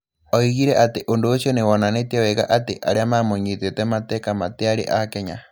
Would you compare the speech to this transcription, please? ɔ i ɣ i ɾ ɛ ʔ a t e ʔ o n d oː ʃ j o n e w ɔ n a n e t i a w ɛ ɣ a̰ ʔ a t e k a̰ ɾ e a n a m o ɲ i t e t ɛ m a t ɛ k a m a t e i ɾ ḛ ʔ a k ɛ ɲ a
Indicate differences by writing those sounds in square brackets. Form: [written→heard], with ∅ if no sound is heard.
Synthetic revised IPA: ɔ i ɣ i ɾ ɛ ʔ a t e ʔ o n d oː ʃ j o n e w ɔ n a n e t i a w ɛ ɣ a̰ ʔ a t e [k→ʔ] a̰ ɾ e a [n→m] a m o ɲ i t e t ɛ m a t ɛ k a m a t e [i→a] ɾ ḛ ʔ a k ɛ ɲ a